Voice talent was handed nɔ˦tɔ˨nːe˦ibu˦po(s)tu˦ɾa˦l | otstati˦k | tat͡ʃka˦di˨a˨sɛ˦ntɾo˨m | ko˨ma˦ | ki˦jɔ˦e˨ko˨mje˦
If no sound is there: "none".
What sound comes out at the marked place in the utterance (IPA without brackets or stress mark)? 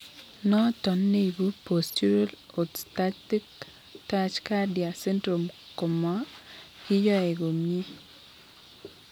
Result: s